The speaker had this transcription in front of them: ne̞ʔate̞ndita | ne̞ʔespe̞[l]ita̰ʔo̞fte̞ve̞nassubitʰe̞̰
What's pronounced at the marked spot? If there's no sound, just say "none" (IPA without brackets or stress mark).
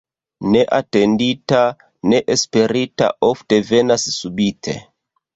ɾ